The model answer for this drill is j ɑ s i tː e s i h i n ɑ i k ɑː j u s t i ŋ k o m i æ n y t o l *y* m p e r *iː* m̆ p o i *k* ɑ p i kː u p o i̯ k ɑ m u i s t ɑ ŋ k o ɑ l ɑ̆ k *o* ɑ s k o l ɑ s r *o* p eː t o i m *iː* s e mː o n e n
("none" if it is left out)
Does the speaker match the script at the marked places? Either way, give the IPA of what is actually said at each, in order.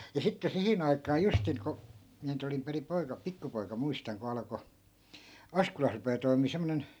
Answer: i, i, k, o, u, iː

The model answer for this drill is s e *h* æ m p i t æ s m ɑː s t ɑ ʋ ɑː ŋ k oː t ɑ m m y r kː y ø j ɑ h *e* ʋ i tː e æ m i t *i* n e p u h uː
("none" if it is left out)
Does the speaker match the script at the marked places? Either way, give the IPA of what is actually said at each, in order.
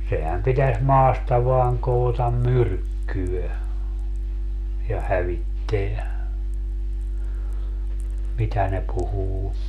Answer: h, æ, æ

